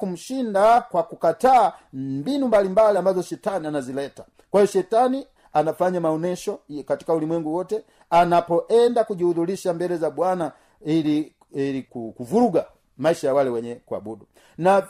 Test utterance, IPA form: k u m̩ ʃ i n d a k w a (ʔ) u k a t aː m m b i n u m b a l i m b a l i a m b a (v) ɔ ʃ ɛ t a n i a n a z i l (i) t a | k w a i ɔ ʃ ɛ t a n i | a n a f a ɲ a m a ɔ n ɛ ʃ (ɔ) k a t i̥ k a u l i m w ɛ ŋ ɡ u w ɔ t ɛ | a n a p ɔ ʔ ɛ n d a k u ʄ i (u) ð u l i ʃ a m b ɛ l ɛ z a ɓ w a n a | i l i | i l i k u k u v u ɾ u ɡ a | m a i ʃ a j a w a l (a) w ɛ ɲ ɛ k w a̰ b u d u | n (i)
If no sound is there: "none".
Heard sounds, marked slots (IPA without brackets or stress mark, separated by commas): k, z, ɛ, ɔ, u, ɛ, a